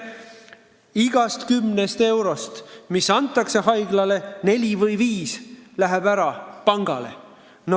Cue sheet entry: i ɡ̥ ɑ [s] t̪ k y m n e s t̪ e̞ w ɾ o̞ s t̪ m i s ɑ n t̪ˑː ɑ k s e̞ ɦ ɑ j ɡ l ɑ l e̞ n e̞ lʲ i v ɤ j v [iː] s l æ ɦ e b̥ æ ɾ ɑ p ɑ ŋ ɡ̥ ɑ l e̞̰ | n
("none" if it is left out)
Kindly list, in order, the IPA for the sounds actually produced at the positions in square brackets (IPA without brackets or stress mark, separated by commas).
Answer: s, iː